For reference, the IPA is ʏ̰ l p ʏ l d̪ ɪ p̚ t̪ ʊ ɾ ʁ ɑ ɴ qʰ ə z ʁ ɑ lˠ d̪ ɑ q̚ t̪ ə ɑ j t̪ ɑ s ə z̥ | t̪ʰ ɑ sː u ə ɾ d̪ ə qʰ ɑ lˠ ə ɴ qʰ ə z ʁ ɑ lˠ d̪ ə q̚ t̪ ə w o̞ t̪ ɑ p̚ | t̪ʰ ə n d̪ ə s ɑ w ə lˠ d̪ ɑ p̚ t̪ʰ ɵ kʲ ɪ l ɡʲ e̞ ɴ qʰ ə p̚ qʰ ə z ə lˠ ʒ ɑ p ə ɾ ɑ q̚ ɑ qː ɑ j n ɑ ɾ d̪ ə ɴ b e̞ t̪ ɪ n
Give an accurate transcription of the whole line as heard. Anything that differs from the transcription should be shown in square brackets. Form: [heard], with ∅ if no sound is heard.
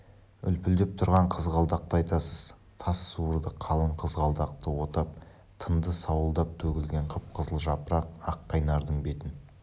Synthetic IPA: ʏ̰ l p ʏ l d̪ ɪ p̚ [t̪ʰ] ʊ ɾ ʁ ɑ ɴ qʰ ə z ʁ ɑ lˠ d̪ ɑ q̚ t̪ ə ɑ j t̪ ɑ s ə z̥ | t̪ʰ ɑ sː u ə ɾ d̪ ə qʰ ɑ lˠ ə ɴ qʰ ə z ʁ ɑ lˠ d̪ [ɑ] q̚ t̪ ə w o̞ t̪ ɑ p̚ | t̪ʰ ə n d̪ ə s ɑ w ə lˠ d̪ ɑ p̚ t̪ʰ ɵ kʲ ɪ l ɡʲ e̞ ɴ qʰ ə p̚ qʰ ə z ə lˠ ʒ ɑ p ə ɾ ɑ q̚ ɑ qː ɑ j n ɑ ɾ d̪ ə ɴ b e̞ t̪ ɪ n

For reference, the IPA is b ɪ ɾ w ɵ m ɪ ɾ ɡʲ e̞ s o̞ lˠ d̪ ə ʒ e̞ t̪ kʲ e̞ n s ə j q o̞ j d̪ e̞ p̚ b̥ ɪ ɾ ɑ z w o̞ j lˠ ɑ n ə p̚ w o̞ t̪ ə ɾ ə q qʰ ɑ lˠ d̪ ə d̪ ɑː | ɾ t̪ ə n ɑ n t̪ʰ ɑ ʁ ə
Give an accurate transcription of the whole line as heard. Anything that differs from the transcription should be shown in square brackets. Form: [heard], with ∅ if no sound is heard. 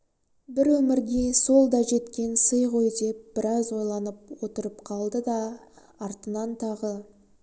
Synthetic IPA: b ɪ ɾ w ɵ m ɪ ɾ ɡʲ e̞ s o̞ lˠ d̪ [ɑ] ʒ e̞ t̪ kʲ e̞ n s ə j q o̞ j d̪ e̞ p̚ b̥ ɪ ɾ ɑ z w o̞ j lˠ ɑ n ə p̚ w o̞ t̪ ə ɾ ə [p] qʰ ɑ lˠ d̪ ə d̪ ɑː | ɾ t̪ ə n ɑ n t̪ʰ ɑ ʁ ə

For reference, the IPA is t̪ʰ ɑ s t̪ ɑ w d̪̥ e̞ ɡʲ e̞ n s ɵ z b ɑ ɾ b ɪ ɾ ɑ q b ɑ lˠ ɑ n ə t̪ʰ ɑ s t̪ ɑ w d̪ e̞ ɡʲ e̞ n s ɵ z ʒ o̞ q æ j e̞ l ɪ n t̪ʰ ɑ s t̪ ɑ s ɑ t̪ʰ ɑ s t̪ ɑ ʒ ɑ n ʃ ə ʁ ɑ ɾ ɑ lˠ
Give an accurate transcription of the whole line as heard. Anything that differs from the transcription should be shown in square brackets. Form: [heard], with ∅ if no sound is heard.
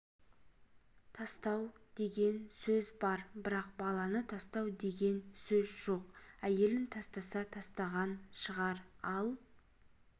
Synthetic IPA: t̪ʰ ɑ s t̪ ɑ w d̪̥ e̞ ɡʲ e̞ n s ɵ z b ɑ ɾ b ɪ ɾ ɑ q b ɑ lˠ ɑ n ə t̪ʰ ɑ s t̪ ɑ w d̪ e̞ ɡʲ e̞ n s ɵ z ʒ o̞ q æ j e̞ l ɪ n t̪ʰ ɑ s t̪ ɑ s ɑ t̪ʰ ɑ s t̪ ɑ [ʁ] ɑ n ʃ ə ʁ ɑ ɾ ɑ lˠ

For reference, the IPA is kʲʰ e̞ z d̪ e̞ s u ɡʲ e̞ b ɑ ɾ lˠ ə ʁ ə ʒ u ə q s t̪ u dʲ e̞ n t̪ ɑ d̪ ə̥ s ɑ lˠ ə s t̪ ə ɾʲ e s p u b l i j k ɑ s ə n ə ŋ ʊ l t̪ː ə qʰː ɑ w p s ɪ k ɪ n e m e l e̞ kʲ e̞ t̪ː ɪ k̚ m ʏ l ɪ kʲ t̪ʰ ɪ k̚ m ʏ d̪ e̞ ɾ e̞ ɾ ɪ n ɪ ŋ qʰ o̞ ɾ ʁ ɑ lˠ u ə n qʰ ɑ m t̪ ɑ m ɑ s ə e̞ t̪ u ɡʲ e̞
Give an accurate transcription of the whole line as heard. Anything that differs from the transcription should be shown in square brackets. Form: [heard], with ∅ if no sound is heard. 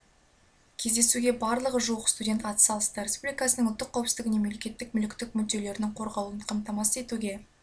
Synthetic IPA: kʲʰ e̞ z d̪ e̞ s u ɡʲ e̞ b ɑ ɾ lˠ ə ʁ ə ʒ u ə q s t̪ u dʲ e̞ n t̪ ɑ [t̪] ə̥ s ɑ lˠ ə s t̪ ə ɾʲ e s p u b l i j k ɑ s ə n ə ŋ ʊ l t̪ː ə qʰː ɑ w p s ɪ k ɪ n e m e l e̞ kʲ e̞ t̪ː ɪ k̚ m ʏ l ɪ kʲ [t̪] ɪ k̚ m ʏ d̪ e̞ [l] e̞ ɾ ɪ n ɪ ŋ qʰ o̞ ɾ ʁ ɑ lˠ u ə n qʰ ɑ m t̪ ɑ m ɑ s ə e̞ t̪ u ɡʲ e̞

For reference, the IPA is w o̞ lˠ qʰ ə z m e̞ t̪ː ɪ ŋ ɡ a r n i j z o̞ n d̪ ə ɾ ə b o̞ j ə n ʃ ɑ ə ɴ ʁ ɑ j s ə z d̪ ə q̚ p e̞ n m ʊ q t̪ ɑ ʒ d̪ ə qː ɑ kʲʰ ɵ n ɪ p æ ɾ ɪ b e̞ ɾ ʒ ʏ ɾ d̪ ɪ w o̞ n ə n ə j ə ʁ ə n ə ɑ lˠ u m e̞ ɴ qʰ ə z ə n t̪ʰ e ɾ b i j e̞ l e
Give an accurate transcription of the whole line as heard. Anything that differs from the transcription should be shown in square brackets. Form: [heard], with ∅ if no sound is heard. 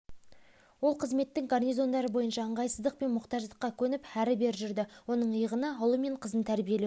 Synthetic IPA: w o̞ lˠ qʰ ə z m e̞ t̪ː ɪ ŋ ɡ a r n i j z o̞ n d̪ [ɑ] ɾ ə b o̞ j ə n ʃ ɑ ə ɴ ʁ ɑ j s ə z d̪ ə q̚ p e̞ n m ʊ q t̪ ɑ ʒ d̪ ə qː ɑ kʲʰ ɵ n ɪ p æ ɾ ɪ b e̞ ɾ ʒ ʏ ɾ d̪ ɪ w o̞ n ə [ɴ] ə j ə ʁ ə n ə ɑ lˠ u m e̞ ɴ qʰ ə z ə n t̪ʰ [æ] ɾ b i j e̞ l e

